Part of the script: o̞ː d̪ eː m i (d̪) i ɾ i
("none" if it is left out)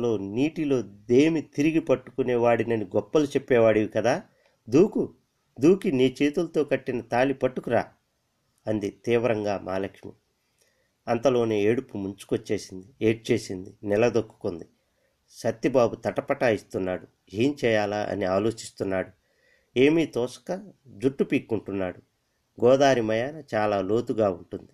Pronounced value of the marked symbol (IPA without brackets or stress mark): t̪